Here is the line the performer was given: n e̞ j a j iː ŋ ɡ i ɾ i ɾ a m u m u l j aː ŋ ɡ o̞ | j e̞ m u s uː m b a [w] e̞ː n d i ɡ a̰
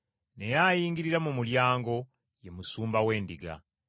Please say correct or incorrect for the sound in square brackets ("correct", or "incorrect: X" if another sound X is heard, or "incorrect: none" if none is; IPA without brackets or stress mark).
correct